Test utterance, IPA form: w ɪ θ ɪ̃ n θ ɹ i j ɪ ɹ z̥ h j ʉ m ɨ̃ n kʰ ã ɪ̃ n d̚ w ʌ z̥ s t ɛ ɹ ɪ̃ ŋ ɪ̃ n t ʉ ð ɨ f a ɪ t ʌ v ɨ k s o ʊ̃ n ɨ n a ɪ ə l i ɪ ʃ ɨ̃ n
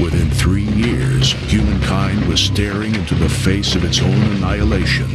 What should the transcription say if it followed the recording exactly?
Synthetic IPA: w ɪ θ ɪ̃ n θ ɹ i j ɪ ɹ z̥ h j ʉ m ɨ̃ n kʰ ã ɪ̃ n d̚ w ʌ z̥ s t ɛ ɹ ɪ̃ ŋ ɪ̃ n t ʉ ð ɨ f e ɪ s ʌ v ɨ t s õ ʊ̃ n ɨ n a ɪ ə l e ɪ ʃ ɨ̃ n